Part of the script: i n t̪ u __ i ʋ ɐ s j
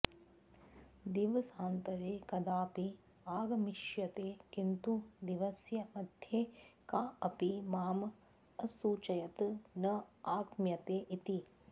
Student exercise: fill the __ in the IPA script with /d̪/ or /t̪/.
d̪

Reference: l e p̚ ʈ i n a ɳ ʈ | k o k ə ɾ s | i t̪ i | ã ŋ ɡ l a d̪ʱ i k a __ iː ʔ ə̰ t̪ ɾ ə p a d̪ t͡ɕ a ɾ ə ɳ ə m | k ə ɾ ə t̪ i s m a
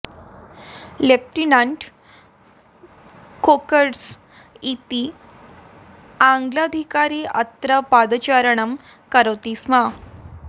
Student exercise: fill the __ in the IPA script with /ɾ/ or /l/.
ɾ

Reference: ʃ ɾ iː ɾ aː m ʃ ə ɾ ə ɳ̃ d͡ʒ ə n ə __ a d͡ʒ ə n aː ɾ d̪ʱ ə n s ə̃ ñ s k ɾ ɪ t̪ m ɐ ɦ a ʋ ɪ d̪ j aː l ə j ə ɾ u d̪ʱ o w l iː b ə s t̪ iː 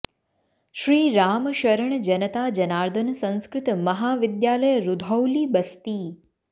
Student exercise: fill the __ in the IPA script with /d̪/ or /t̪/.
t̪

